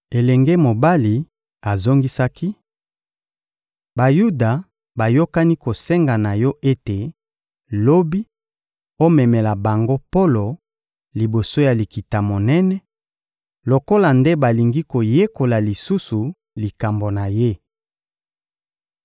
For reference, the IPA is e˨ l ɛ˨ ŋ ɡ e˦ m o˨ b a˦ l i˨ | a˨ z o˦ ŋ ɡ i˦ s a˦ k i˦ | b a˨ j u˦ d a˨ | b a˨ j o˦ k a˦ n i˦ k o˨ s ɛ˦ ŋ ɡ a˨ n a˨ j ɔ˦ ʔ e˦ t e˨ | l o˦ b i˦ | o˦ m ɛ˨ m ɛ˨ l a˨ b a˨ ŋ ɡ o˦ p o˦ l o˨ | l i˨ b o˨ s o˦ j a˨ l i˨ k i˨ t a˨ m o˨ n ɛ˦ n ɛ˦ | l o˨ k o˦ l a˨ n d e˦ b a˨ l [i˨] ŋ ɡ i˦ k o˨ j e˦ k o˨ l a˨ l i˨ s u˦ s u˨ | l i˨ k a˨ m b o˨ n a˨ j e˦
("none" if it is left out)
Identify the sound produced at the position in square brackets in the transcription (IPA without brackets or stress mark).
i˨